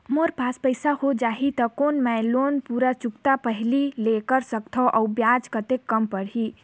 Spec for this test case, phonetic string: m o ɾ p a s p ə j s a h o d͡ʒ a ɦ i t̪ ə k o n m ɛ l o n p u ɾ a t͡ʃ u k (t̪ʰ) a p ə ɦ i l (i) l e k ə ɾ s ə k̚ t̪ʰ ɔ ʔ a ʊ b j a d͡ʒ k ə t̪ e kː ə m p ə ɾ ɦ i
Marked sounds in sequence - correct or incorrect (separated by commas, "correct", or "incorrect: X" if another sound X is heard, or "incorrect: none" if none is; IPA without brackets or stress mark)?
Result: incorrect: t̪, correct